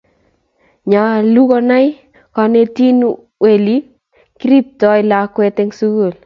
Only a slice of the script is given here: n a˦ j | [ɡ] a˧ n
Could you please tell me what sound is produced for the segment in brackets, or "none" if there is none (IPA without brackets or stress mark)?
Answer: k